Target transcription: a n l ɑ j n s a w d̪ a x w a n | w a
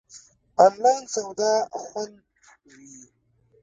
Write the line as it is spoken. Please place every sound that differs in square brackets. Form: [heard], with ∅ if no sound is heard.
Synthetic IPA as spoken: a n l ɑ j n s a w d̪ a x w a n | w [i]